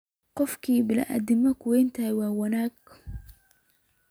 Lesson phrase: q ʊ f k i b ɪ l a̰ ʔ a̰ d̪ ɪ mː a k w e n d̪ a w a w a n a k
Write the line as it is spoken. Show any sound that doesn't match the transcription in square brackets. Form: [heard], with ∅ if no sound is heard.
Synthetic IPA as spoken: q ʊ f k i b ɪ l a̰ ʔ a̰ d̪ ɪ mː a k w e n [t̪] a w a w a n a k

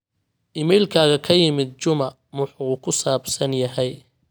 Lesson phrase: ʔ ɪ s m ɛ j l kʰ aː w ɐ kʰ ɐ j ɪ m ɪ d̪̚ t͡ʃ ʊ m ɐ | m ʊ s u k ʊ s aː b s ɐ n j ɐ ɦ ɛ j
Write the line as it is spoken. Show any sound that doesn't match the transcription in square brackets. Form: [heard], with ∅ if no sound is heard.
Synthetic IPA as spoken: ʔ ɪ [∅] m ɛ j l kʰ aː [ɣ] ɐ kʰ ɐ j ɪ m ɪ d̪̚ t͡ʃ ʊ m ɐ | m ʊ [ħ] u [kʰ] ʊ s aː b s ɐ n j ɐ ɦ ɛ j

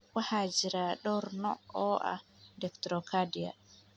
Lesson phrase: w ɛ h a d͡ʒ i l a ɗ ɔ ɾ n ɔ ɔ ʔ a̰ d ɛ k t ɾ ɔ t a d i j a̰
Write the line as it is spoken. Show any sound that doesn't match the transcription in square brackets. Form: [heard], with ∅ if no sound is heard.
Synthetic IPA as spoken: w [a] h a d͡ʒ i [ɾ] a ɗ ɔ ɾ n ɔ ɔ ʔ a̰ d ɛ k t ɾ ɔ [k] a d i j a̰

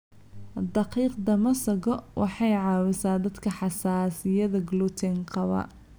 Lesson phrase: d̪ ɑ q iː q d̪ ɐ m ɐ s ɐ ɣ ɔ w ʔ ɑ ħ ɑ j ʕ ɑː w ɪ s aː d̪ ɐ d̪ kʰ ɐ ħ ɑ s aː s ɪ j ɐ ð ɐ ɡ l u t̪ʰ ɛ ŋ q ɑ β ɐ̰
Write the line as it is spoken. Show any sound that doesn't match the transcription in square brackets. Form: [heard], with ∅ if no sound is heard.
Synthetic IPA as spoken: d̪ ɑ q iː q d̪ ɐ m ɐ s ɐ ɣ ɔ w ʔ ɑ ħ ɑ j ʕ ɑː w ɪ s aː d̪ ɐ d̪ kʰ ɐ ħ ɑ s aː s ɪ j ɐ ð ɐ ɡ l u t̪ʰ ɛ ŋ q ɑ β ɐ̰

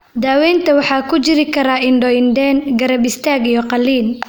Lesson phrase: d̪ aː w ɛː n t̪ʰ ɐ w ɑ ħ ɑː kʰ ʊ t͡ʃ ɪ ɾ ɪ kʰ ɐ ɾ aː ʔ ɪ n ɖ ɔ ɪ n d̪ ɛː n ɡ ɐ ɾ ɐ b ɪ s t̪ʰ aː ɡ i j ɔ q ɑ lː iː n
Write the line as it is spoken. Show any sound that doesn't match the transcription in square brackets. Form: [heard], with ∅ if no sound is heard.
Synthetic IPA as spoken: d̪ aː w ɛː n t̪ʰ ɐ w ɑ ħ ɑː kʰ ʊ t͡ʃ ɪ ɾ ɪ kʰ ɐ ɾ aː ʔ ɪ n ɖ ɔ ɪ n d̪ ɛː n ɡ ɐ ɾ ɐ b ɪ s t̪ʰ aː ɡ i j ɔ q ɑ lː iː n

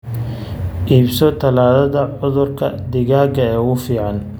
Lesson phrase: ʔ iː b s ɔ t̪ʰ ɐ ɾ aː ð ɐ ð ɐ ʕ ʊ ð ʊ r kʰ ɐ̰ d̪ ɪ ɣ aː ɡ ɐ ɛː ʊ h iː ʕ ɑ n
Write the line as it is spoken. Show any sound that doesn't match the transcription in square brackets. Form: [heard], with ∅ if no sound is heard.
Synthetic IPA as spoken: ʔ iː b s ɔ t̪ʰ ɐ [l] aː ð ɐ ð ɐ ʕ ʊ ð ʊ r kʰ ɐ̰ d̪ ɪ ɣ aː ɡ ɐ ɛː ʊ [f] iː ʕ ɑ n

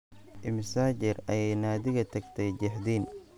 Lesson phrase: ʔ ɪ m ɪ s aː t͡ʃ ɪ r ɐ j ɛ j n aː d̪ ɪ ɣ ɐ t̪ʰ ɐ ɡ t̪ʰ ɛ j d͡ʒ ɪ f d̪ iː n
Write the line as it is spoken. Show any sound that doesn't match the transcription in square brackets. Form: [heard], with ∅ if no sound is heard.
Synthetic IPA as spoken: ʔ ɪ m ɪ s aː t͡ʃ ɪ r ɐ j ɛ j n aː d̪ ɪ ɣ ɐ t̪ʰ ɐ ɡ t̪ʰ ɛ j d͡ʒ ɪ [ħ] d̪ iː n

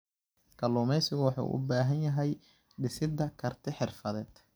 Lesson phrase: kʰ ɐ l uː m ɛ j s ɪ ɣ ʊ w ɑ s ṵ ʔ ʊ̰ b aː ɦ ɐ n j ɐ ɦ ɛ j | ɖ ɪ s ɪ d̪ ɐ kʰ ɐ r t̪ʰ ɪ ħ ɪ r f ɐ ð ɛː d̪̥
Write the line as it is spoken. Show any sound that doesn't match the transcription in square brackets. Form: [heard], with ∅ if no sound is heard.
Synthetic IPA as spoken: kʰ ɐ l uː m ɛ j s ɪ ɣ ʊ w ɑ [ħ] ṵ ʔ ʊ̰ b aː ɦ ɐ n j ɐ ɦ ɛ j | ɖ ɪ s ɪ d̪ ɐ kʰ ɐ r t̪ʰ ɪ ħ ɪ r f ɐ ð ɛː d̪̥

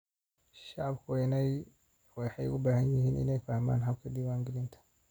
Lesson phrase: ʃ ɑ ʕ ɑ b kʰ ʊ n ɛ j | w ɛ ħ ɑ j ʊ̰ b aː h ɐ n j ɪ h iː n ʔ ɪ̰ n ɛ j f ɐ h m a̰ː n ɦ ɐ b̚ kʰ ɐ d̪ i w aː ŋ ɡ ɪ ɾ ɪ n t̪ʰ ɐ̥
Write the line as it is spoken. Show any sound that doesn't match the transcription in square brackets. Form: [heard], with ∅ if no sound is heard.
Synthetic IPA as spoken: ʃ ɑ ʕ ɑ b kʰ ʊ n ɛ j | w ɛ ħ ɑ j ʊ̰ b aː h ɐ n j ɪ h iː n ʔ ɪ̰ n ɛ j f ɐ h m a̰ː n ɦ ɐ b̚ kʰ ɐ d̪ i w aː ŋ ɡ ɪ [l] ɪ n t̪ʰ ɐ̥

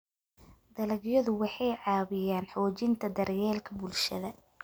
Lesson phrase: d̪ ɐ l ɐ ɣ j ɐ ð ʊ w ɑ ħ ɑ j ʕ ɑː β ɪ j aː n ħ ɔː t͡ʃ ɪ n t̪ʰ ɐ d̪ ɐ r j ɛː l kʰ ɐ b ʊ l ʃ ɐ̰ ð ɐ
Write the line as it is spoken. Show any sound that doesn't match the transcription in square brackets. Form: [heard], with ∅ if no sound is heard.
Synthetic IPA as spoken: d̪ ɐ l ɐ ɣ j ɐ ð ʊ w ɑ ħ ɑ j ʕ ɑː β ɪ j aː n ħ ɔː t͡ʃ ɪ n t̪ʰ ɐ d̪ ɐ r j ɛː l kʰ ɐ b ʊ l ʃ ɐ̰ ð ɐ

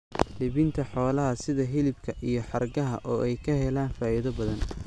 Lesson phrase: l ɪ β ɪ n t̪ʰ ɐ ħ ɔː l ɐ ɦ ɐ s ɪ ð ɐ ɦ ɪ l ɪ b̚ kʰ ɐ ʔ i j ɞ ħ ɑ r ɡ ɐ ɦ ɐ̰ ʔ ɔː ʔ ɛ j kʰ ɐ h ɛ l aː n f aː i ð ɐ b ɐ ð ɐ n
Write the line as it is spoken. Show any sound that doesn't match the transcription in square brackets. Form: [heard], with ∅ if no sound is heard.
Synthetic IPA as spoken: l ɪ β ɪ n t̪ʰ ɐ ħ ɔː l ɐ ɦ ɐ s ɪ ð ɐ ɦ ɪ l ɪ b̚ kʰ ɐ ʔ i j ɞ ħ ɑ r ɡ ɐ ɦ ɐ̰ ʔ ɔː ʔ ɛ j kʰ ɐ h ɛ l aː n f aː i ð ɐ b ɐ ð ɐ n

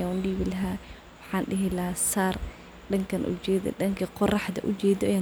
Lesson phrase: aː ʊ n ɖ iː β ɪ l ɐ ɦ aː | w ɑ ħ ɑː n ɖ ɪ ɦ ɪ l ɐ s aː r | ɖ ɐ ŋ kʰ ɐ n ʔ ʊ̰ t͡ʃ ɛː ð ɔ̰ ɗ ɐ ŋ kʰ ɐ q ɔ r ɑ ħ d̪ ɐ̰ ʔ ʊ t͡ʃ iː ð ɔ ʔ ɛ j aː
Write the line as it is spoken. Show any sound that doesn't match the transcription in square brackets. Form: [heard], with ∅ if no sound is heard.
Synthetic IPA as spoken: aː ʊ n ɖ iː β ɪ l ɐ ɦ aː | w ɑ ħ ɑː n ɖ ɪ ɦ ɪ l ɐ s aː r | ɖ ɐ ŋ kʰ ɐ n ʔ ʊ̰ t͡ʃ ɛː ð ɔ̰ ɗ ɐ ŋ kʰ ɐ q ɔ r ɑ ħ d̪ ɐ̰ ʔ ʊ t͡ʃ [ɛː] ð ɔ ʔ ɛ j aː

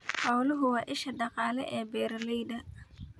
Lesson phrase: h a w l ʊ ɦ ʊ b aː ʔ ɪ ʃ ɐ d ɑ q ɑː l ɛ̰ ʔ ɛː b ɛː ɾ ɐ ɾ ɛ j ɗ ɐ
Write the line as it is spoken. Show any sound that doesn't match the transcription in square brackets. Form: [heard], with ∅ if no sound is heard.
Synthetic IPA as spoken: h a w l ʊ ɦ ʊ [w] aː ʔ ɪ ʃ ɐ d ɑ q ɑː l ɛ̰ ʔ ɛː b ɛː ɾ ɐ [l] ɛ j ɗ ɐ

